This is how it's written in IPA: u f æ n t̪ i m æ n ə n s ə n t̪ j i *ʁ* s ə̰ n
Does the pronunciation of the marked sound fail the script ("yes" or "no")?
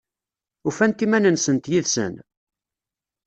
yes